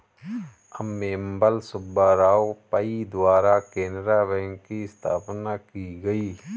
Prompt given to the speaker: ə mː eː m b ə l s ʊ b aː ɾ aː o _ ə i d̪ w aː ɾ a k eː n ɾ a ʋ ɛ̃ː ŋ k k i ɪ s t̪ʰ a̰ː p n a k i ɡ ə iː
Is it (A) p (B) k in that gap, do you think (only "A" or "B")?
A